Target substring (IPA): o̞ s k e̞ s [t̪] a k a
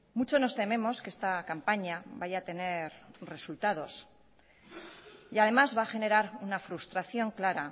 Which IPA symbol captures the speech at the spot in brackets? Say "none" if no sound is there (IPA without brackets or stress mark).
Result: t̪